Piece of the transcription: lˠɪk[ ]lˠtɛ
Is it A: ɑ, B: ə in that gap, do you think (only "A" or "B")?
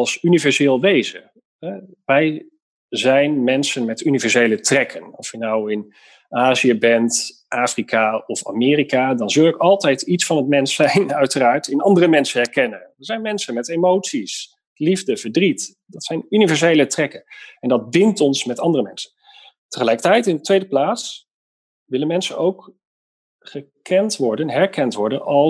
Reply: A